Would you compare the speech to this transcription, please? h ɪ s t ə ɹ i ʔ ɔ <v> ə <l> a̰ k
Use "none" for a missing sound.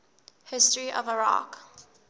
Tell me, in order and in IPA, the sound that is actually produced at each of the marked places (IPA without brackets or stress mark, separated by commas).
v, ɹ